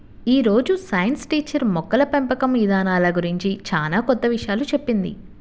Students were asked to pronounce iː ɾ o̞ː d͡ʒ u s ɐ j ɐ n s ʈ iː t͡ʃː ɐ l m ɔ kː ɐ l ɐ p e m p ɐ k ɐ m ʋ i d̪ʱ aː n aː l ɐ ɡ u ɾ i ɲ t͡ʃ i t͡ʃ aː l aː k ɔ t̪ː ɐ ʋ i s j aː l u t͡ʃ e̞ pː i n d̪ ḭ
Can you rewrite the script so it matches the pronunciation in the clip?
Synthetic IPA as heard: iː ɾ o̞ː d͡ʒ u s ɐ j ɐ n s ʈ iː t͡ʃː ɐ ɾ m ɔ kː ɐ l ɐ p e m p ɐ k ɐ m ʋ i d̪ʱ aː n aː l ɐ ɡ u ɾ i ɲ t͡ʃ i t͡ʃ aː l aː k ɔ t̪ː ɐ ʋ i ʂ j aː l u t͡ʃ e̞ pː i n d̪ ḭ